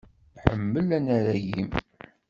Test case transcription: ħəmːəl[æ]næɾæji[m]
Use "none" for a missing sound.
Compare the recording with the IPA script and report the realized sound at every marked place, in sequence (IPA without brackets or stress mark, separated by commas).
æ, m